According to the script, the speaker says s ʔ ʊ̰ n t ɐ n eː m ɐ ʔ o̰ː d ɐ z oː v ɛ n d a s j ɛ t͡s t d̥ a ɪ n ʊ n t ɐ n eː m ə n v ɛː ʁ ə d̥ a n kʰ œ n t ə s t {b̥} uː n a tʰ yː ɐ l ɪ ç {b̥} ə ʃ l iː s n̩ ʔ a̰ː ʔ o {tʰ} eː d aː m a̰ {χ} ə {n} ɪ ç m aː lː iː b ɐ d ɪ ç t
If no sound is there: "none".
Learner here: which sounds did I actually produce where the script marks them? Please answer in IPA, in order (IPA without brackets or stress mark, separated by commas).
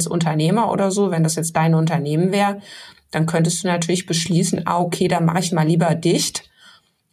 d̥, b̥, kʰ, χ, none